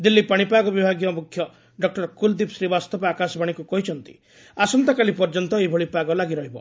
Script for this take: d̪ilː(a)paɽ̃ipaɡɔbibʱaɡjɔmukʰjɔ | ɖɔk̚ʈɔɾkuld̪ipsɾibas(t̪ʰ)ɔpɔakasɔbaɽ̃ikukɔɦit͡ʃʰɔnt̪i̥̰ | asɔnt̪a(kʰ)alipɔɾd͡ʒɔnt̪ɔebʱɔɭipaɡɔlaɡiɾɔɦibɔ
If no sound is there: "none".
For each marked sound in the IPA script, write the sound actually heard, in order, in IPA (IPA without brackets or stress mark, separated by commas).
i, t̪, k